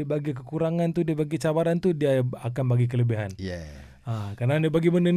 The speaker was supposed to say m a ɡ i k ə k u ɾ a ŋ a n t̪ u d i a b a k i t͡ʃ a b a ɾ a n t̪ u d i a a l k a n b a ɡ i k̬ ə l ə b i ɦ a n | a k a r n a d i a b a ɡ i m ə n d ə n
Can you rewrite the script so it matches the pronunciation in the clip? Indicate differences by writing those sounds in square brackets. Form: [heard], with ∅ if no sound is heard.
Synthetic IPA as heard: [b] a ɡ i k ə k u ɾ a ŋ a n t̪ u d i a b a [ɡ] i t͡ʃ a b a ɾ a n t̪ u d i a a [∅] k a n b a ɡ i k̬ ə l ə b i ɦ a n | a k a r n a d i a b a ɡ i m ə n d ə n